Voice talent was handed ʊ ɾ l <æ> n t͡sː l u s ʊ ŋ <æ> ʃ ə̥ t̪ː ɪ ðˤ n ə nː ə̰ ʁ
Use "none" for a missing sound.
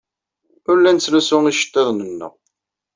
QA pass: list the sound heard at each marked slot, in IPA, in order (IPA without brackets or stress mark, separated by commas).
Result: æ, i